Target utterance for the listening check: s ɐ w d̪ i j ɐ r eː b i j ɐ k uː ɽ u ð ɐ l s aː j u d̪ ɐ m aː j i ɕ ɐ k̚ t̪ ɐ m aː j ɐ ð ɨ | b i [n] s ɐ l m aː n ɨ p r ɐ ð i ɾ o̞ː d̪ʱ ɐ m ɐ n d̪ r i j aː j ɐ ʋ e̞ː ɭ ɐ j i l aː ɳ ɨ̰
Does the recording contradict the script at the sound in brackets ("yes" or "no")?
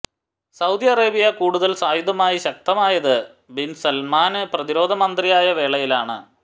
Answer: no